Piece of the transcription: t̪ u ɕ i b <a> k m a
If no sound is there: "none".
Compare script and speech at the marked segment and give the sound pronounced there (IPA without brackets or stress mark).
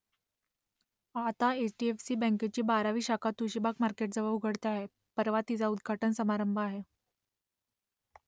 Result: a